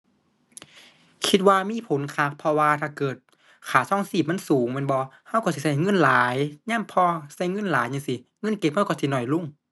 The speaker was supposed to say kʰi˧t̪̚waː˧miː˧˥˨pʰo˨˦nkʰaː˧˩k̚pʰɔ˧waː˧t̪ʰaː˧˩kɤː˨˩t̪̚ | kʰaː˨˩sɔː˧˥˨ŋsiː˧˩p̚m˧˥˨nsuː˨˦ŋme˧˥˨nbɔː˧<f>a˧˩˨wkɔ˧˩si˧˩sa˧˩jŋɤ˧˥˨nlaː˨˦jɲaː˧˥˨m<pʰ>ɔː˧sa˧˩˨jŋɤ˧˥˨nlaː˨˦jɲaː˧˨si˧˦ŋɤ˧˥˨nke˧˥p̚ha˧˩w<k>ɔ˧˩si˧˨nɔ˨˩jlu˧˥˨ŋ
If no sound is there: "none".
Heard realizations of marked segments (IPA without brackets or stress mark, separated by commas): h, pʰ, k